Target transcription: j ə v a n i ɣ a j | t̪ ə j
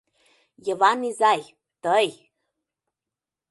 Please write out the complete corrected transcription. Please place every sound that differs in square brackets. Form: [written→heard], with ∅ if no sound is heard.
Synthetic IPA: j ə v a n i [ɣ→z] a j | t̪ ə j